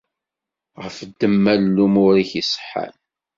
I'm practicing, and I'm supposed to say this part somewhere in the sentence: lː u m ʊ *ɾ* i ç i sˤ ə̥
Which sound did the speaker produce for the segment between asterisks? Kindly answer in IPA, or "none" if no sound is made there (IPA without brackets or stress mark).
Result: ɾ